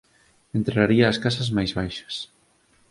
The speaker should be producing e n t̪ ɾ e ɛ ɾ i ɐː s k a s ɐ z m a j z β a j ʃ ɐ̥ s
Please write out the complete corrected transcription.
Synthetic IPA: e n t̪ ɾ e a ɾ i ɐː s k a s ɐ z m a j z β a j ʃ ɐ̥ s